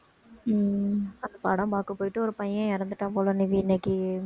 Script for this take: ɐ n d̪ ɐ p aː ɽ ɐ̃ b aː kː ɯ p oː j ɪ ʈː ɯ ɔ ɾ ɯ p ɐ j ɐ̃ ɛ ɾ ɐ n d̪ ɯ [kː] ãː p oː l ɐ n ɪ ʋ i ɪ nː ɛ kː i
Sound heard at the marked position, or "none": ʈː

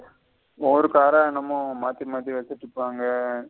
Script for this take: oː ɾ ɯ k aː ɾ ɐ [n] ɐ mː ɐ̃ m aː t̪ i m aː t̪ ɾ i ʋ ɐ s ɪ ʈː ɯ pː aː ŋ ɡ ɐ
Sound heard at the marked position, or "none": n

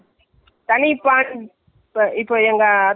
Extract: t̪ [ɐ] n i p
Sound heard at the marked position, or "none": ɐ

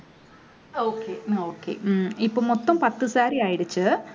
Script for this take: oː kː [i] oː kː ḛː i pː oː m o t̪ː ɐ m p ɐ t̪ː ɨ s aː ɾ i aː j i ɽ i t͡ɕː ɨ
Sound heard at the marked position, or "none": e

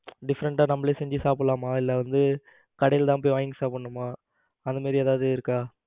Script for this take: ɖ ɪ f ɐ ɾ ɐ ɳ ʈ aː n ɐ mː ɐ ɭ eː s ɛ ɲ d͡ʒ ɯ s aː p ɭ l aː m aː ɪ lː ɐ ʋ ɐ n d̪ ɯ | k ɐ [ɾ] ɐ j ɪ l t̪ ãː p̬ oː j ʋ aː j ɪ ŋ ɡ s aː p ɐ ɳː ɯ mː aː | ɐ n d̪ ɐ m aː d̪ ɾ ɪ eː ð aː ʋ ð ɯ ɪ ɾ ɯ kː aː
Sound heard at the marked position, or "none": ɽ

